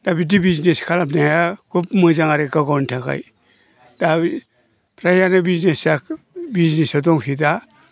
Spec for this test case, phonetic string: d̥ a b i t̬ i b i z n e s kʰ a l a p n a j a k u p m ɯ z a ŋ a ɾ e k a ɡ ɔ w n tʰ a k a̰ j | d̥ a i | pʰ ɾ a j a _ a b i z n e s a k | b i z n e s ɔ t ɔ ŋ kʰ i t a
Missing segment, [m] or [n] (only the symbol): n